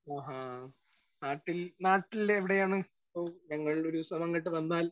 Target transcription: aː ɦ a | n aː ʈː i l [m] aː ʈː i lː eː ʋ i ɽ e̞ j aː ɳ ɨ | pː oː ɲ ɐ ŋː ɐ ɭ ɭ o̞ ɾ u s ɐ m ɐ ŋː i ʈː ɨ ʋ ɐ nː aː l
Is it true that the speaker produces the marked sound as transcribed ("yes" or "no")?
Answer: no